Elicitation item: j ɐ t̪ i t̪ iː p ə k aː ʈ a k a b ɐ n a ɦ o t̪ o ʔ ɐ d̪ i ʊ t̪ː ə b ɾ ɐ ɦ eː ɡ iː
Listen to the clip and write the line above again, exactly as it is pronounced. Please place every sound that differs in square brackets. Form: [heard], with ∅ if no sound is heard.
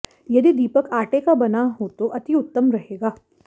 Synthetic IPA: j ɐ [d̪] i [d̪] iː p ə k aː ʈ [e] k a b ɐ n a ɦ o t̪ o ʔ ɐ [t̪] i ʊ t̪ː ə [m] ɾ ɐ ɦ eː ɡ [aː]